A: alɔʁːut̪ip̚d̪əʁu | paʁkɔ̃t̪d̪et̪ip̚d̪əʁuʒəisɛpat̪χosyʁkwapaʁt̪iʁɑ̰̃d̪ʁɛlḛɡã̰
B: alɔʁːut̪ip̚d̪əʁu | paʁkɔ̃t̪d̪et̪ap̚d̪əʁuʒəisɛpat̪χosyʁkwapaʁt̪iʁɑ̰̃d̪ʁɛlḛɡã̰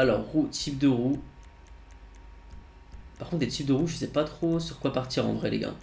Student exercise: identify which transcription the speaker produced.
A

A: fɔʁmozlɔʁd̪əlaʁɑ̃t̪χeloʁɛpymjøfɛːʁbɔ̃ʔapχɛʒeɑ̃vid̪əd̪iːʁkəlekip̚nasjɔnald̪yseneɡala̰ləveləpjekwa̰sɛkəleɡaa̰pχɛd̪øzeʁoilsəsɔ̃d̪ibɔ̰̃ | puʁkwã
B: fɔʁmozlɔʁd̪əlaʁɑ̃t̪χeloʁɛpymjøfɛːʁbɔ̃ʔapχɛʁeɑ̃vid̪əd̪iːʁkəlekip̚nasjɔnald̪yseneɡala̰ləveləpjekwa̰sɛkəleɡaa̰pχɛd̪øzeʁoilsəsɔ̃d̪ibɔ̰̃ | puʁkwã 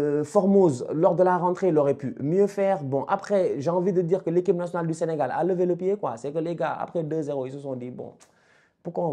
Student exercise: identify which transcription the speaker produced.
A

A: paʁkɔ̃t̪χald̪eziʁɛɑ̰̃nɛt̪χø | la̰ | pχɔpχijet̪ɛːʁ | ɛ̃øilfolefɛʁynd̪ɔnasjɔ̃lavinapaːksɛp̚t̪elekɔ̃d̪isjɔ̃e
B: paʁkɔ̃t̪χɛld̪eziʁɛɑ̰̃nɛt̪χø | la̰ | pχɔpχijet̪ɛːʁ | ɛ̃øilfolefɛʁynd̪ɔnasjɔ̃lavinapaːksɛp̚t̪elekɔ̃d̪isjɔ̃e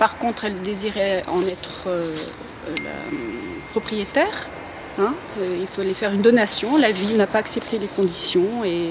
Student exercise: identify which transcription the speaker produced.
B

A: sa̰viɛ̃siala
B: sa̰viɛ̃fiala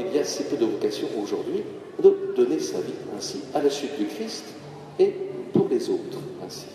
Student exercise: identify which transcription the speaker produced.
A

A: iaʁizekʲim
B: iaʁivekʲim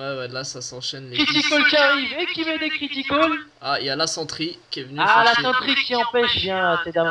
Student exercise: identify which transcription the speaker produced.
B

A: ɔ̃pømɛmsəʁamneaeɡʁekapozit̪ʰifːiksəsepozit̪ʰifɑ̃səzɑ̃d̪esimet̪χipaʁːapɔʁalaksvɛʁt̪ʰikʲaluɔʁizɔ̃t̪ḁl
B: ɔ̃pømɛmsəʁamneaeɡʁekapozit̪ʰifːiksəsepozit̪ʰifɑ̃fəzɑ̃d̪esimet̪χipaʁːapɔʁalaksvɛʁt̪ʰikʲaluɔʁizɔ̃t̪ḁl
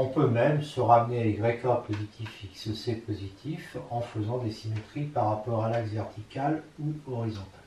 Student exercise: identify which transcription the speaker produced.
B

